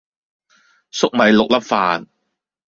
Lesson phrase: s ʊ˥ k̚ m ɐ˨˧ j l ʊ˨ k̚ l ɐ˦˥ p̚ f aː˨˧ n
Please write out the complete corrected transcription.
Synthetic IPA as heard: s ʊ˥ k̚ m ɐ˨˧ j l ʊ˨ k̚ l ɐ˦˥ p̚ f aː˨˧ n